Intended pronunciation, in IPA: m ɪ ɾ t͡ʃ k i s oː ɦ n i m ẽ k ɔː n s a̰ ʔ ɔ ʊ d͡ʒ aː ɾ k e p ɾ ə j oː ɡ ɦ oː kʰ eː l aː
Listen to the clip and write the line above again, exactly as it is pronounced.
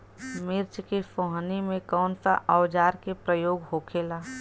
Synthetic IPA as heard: m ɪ ɾ t͡ʃ k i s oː ɦ n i m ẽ k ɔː n s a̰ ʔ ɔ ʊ d͡ʒ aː ɾ k e p ɾ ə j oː ɡ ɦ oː kʰ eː l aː